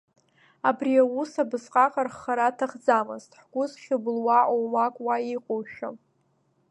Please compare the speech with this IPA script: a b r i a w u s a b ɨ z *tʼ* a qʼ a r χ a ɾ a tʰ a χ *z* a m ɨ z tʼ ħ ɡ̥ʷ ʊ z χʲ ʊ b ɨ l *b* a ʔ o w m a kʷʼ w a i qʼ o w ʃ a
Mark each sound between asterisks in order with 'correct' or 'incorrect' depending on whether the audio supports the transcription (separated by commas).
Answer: incorrect, incorrect, incorrect